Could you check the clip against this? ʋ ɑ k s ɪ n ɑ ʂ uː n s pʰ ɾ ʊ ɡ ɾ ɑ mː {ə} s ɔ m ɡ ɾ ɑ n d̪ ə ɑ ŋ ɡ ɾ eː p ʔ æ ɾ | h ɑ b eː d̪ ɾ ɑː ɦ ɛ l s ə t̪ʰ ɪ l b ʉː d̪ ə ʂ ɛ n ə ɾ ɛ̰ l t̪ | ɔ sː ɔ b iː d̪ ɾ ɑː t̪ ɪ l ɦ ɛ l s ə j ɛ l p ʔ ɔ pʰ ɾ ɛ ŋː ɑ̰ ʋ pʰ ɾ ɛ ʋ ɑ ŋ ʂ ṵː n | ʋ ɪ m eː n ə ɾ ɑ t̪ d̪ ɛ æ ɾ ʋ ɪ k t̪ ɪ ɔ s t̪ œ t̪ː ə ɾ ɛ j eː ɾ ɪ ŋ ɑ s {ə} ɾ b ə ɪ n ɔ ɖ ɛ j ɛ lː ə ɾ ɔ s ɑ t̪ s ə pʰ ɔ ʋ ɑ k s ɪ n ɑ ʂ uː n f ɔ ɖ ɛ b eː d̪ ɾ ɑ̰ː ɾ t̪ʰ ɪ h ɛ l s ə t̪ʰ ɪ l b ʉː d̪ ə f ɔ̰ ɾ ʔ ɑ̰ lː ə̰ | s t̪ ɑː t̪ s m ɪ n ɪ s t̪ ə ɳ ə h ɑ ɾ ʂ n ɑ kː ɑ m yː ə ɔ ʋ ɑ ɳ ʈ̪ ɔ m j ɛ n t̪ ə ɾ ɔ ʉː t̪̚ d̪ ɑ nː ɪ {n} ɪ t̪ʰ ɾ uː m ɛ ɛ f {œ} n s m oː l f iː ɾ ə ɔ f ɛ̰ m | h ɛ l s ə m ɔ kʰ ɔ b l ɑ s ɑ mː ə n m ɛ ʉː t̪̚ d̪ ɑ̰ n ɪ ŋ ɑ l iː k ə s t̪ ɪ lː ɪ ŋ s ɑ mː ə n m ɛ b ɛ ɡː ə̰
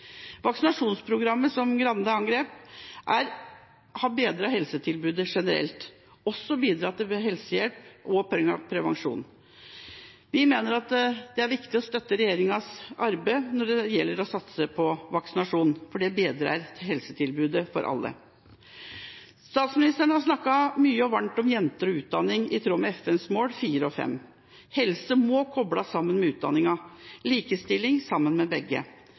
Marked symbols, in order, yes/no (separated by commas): yes, no, no, no